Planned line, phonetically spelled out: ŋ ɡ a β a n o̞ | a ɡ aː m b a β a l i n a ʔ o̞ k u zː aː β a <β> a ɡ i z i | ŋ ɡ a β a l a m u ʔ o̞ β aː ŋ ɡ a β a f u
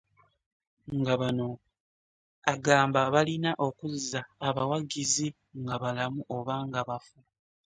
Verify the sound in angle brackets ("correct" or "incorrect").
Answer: incorrect